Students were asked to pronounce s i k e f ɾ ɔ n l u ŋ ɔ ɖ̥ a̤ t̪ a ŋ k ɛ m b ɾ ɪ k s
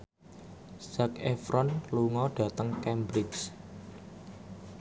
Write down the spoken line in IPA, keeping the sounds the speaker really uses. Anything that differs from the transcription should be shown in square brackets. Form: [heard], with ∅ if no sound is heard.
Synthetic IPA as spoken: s [a] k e f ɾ ɔ n l u ŋ ɔ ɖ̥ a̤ t̪ [ə] ŋ k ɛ m b ɾ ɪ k s